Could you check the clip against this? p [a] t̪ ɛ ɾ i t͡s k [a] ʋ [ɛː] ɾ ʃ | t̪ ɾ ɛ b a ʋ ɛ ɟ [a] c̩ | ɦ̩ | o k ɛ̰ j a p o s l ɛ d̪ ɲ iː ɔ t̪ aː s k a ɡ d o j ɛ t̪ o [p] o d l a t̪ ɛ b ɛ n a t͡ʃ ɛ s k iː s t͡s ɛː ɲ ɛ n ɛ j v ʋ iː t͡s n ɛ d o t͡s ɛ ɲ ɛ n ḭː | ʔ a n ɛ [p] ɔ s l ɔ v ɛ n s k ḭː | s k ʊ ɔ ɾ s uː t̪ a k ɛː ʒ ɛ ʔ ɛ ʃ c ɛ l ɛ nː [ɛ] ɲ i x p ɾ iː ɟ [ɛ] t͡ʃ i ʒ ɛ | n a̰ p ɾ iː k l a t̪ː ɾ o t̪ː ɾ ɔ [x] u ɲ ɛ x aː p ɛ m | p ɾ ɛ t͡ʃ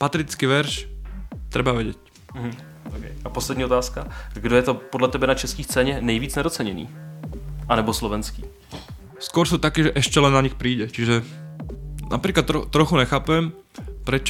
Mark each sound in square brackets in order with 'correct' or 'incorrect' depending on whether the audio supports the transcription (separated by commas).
correct, incorrect, incorrect, incorrect, correct, incorrect, incorrect, correct, correct